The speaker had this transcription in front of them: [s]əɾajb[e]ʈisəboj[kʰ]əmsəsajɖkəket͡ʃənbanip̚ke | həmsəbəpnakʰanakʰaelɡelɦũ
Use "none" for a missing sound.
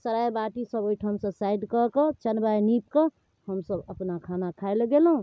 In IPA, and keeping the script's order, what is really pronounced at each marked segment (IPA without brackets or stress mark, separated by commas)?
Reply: s, a, ʈʰ